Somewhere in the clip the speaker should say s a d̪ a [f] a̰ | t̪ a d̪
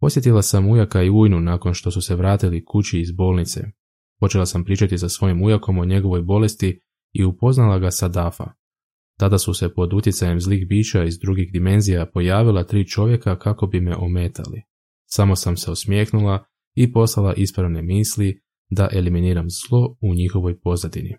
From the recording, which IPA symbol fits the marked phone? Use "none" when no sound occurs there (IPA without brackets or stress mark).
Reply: f